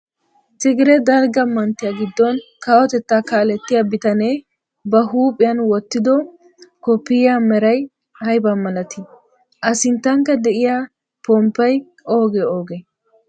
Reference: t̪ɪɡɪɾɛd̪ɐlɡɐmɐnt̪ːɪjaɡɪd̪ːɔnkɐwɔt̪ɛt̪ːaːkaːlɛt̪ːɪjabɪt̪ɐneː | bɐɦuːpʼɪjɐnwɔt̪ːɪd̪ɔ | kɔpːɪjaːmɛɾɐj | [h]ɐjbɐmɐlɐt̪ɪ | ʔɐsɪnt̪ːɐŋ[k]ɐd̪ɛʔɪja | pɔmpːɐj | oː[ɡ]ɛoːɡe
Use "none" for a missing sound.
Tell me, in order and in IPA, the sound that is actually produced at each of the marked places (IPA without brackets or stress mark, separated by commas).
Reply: h, k, ɡ